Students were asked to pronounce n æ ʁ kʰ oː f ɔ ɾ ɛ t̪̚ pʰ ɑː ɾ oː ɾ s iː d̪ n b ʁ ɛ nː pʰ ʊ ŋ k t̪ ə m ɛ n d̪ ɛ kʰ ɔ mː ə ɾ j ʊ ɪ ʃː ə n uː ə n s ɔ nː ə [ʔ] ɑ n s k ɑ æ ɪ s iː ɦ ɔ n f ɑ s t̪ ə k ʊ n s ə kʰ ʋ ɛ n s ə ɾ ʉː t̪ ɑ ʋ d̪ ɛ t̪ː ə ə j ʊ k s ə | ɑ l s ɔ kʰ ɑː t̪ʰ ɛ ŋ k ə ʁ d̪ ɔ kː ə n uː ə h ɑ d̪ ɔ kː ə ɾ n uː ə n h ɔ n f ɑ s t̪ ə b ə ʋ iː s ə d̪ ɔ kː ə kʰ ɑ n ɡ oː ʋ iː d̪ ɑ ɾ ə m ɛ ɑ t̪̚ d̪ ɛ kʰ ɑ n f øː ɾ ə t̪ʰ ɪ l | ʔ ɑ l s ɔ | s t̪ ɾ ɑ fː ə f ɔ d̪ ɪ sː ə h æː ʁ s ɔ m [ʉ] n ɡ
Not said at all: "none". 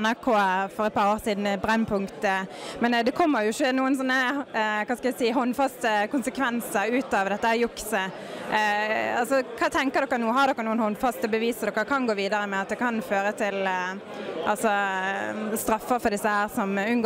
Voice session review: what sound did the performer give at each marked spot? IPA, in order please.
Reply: k, ʉ

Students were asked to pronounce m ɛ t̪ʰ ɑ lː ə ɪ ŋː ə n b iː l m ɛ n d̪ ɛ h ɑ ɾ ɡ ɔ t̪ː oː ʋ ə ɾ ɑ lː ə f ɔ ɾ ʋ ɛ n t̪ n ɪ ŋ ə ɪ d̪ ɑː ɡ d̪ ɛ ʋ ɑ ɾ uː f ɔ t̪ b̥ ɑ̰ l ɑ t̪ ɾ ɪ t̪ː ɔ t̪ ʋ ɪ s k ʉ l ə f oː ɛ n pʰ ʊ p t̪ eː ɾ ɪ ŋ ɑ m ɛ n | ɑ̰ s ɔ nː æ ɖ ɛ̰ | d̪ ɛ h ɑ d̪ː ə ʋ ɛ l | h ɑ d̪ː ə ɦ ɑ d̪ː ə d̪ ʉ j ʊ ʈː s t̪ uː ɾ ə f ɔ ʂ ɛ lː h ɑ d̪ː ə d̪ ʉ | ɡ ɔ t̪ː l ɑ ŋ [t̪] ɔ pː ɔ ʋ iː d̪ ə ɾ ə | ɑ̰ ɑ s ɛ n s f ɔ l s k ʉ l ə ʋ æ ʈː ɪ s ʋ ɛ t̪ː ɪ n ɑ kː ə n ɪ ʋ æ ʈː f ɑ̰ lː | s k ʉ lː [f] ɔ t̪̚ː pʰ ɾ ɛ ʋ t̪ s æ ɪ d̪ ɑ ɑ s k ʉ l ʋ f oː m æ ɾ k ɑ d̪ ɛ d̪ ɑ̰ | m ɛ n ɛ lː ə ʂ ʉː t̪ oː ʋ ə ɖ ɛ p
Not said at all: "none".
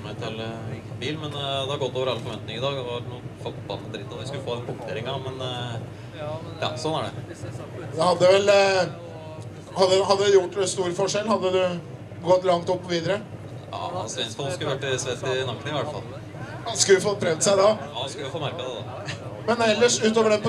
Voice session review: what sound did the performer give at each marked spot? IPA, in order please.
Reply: t̪, f

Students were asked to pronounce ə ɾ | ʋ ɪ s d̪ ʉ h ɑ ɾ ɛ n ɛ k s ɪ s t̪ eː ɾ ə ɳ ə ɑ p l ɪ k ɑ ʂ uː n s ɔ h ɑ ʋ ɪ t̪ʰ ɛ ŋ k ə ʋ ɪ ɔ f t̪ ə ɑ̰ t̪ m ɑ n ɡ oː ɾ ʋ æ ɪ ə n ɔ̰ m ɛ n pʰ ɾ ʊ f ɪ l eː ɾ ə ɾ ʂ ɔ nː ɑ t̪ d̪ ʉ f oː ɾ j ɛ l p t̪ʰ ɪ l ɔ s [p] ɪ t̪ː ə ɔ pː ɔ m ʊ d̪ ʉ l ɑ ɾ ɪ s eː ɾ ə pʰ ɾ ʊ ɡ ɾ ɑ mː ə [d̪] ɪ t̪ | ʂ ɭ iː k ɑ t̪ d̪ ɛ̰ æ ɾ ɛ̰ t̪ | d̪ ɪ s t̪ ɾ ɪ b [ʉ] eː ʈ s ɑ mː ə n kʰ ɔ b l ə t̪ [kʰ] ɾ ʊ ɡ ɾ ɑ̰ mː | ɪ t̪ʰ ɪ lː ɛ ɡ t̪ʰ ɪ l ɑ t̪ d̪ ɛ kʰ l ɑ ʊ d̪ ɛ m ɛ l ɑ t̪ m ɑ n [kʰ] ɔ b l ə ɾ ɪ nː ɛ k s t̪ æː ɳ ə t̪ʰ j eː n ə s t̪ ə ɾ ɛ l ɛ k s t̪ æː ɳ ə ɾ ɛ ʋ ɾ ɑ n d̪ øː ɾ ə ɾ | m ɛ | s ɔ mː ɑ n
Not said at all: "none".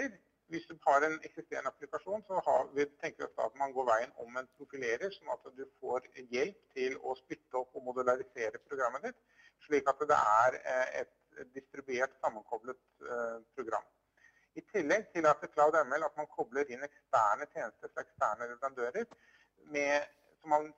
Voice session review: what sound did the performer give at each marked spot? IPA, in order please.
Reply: p, d̪, ʉ, pʰ, kʰ

